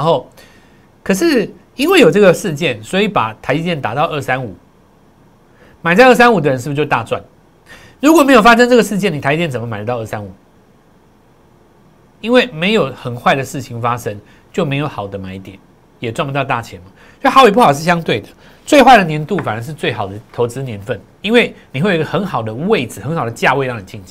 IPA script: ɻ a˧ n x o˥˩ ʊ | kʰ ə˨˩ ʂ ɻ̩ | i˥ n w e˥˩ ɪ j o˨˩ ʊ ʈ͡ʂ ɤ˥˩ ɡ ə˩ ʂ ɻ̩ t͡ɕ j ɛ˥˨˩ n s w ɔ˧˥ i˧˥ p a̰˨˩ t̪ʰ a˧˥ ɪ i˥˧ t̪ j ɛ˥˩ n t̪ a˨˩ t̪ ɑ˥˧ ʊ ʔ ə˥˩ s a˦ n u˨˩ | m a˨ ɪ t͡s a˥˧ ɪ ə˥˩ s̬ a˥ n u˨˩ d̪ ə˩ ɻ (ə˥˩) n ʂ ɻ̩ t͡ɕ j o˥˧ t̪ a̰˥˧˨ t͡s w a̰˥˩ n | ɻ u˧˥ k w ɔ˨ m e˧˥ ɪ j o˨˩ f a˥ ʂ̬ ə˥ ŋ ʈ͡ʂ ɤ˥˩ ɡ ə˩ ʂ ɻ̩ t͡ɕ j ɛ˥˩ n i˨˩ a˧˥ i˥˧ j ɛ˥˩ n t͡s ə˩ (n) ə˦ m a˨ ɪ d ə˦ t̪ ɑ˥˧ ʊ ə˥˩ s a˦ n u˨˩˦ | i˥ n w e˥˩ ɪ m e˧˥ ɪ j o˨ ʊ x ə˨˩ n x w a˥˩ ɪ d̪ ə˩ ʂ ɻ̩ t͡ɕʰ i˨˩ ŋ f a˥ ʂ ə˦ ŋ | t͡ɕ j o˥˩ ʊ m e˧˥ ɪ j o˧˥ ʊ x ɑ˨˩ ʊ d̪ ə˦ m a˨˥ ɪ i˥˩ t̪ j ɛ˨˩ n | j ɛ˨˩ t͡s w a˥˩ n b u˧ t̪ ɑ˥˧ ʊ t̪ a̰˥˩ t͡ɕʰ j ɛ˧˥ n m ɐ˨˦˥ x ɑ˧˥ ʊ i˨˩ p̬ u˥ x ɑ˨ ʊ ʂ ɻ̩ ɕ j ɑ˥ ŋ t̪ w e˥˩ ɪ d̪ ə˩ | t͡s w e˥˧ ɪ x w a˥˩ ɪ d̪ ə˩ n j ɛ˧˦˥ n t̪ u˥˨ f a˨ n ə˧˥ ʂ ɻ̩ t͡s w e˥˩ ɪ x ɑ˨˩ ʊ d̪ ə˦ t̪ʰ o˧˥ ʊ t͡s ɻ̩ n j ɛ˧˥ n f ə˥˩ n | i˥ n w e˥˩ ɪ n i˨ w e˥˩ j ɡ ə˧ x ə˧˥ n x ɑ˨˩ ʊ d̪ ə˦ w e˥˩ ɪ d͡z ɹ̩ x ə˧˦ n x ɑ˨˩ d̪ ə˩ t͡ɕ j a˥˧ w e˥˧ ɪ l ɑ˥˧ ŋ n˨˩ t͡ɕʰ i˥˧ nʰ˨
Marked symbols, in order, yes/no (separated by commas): no, no